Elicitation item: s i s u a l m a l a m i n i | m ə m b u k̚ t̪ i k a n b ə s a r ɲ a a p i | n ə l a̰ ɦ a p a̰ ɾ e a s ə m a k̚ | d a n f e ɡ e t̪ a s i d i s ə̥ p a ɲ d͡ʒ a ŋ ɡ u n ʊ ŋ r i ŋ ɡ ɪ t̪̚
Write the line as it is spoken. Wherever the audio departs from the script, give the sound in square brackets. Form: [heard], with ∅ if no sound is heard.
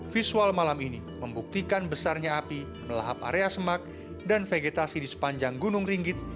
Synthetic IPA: [f] i s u a l m a l a m i n i | m ə m b u k̚ t̪ i k a n b ə s a r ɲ a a p i | [m] ə l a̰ ɦ a p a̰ ɾ e a s ə m a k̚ | d a n f e ɡ e t̪ a s i d i s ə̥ p a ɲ d͡ʒ a ŋ ɡ u n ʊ ŋ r i ŋ ɡ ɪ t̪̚